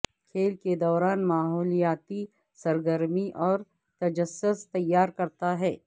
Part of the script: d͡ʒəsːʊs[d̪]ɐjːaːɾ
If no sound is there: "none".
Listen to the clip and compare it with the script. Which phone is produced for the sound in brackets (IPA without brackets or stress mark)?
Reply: t̪